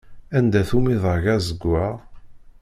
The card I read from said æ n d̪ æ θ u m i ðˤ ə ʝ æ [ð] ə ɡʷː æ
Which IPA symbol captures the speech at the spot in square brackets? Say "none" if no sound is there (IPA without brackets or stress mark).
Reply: z